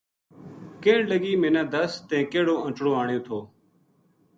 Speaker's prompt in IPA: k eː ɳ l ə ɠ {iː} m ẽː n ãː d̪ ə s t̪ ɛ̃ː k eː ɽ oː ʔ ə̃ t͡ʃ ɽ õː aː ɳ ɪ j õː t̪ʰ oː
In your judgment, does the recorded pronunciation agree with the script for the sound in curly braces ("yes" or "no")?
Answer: yes